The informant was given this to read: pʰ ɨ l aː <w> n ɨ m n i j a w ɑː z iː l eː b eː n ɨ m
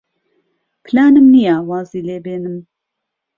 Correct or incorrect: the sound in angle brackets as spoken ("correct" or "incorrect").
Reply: incorrect